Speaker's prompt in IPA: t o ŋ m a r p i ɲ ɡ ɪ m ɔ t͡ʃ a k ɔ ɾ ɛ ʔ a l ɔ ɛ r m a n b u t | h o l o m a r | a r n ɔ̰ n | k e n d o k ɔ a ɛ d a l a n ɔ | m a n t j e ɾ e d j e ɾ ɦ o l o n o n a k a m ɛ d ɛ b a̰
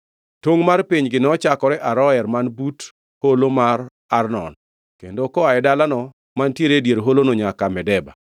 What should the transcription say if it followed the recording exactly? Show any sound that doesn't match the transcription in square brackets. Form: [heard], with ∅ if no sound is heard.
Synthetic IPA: t o ŋ m a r p i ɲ ɡ ɪ [n] ɔ t͡ʃ a k ɔ ɾ ɛ ʔ a [ɾ] ɔ ɛ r m a n b u t | h o l o m a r | a r n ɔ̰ n | k e n d o k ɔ a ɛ d a l a n ɔ | m a n t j e ɾ e d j e ɾ ɦ o l o n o [ɲ] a k a m ɛ d ɛ b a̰

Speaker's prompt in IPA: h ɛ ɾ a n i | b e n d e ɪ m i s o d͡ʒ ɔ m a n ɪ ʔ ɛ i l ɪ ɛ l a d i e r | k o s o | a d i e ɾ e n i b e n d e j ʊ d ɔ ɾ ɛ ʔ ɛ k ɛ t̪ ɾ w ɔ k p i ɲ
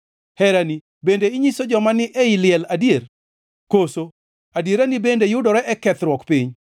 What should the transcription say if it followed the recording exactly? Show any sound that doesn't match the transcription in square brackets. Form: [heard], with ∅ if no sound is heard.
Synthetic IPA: h ɛ ɾ a n i | b e n d e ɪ [ɲ] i s o d͡ʒ ɔ m a n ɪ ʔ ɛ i l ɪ ɛ l a d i e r | k o s o | a d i e ɾ [a] n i b e n d e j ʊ d ɔ ɾ ɛ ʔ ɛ k ɛ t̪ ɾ w ɔ k p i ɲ

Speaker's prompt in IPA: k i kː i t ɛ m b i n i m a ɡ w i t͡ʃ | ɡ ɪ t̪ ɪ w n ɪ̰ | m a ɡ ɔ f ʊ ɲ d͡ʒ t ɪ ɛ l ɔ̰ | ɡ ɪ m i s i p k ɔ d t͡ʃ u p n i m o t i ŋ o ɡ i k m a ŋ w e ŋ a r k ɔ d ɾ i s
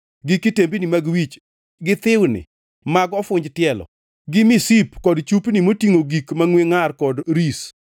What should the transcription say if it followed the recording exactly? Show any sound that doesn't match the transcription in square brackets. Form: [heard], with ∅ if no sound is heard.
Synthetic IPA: [ɡ] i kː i t [e] m b i n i m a ɡ w i t͡ʃ | ɡ ɪ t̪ ɪ w n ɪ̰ | m a ɡ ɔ f ʊ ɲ d͡ʒ t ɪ ɛ l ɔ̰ | ɡ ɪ m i s i p k ɔ d t͡ʃ u p n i m o t i ŋ o ɡ i k m a ŋ w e ŋ a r k ɔ d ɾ i s

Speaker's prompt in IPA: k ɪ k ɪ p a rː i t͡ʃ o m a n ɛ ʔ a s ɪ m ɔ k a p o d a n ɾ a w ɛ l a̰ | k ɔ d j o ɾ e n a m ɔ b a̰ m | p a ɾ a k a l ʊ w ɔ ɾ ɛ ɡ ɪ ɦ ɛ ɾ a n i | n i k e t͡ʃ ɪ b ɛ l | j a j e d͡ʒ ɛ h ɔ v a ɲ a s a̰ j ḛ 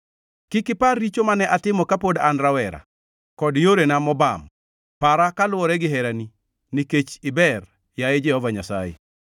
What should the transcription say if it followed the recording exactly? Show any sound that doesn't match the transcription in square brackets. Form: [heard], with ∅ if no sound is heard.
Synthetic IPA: k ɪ k ɪ p a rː i t͡ʃ o m a n ɛ ʔ a [t] ɪ m ɔ k a p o d a n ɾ a w ɛ [ɾ] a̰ | k ɔ d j o ɾ e n a m ɔ b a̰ m | p a ɾ a k a l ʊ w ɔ ɾ ɛ ɡ ɪ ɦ ɛ ɾ a n i | n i k e t͡ʃ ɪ b ɛ [r] | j a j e d͡ʒ ɛ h ɔ v a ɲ a s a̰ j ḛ

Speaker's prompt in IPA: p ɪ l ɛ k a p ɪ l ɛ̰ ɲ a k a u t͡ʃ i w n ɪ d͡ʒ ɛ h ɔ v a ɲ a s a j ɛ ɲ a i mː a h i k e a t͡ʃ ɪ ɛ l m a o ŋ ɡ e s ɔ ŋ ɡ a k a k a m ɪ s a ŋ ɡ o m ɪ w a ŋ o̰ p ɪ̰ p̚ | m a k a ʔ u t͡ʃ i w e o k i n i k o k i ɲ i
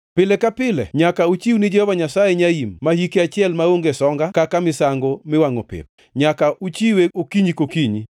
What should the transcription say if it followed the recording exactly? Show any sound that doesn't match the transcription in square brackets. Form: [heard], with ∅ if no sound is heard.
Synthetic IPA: p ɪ l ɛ k a p ɪ l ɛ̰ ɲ a k a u t͡ʃ i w n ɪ d͡ʒ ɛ h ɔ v a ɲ a s a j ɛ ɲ a i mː a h i k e a t͡ʃ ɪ ɛ l m a o ŋ ɡ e s ɔ ŋ ɡ a k a k a m ɪ s a ŋ ɡ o m ɪ w a ŋ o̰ p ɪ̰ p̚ | [ɲ] a k a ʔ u t͡ʃ i w e o k i [ɲ] i k o k i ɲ i

